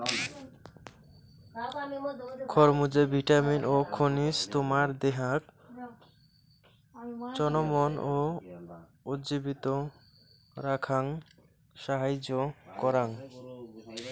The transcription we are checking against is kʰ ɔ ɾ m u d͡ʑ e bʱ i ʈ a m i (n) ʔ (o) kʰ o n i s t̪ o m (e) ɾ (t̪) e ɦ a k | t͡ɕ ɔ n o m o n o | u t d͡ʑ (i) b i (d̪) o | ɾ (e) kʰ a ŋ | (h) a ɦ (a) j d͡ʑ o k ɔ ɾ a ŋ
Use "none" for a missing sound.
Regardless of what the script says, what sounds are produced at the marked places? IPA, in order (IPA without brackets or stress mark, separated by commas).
n, o, a, d̪, i, t̪, a, ʃ, a